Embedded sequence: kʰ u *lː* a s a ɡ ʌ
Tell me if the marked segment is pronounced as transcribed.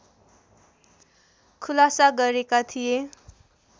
no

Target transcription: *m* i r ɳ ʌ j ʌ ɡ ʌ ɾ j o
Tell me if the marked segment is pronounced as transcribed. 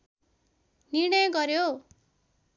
no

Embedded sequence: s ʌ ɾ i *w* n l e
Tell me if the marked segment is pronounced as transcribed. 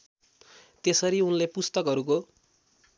no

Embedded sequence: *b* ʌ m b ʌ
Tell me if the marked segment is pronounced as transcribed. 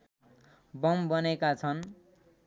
yes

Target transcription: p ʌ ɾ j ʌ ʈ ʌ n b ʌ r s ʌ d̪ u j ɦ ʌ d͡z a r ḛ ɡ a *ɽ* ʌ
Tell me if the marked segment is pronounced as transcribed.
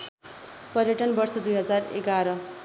no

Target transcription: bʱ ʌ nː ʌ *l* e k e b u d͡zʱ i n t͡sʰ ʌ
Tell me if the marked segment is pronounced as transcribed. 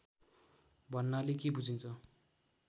yes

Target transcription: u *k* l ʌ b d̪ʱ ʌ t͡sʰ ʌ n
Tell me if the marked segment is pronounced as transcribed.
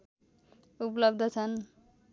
no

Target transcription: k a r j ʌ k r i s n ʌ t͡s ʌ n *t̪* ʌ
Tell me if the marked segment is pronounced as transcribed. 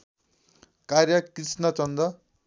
no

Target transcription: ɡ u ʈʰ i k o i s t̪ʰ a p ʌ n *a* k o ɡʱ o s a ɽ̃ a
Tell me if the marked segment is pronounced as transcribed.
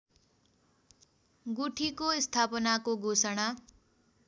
yes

